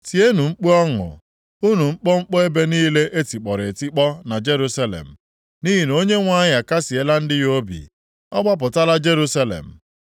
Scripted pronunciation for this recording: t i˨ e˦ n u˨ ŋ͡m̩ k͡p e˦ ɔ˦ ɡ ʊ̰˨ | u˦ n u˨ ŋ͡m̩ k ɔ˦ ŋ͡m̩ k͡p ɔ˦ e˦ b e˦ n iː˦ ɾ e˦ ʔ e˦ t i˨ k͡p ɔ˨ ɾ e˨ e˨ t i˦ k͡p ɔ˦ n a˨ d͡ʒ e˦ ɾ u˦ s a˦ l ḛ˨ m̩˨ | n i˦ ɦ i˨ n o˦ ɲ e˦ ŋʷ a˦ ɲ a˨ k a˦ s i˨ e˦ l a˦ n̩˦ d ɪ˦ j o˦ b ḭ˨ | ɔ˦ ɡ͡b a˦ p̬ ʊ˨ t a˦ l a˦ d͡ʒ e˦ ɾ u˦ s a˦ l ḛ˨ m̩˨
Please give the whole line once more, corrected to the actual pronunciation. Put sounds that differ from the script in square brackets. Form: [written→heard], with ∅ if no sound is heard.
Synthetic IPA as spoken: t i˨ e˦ n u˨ ŋ͡m̩ k͡p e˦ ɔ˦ [ɡ→ŋ] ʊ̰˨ | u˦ n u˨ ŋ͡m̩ [k→k͡p] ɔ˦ ŋ͡m̩ k͡p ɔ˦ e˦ b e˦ n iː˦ [ɾ→l] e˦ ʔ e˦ t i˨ k͡p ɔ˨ ɾ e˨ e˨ t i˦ k͡p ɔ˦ n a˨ d͡ʒ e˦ ɾ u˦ s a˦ l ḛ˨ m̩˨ | n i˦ ɦ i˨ n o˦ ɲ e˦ ŋʷ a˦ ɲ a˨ k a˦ s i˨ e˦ l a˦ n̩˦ d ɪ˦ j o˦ b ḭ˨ | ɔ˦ ɡ͡b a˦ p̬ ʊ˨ t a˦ l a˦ d͡ʒ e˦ ɾ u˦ s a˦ l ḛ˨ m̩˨